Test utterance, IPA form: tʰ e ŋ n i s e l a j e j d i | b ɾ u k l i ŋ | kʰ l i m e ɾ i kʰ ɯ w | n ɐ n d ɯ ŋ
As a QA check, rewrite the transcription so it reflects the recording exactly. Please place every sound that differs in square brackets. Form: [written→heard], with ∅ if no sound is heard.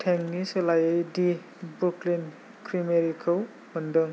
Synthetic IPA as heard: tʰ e ŋ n i s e l a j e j d i | b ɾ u k l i [ŋ→n] | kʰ [l→ɾ] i m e ɾ i kʰ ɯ w | [n→m] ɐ n d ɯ ŋ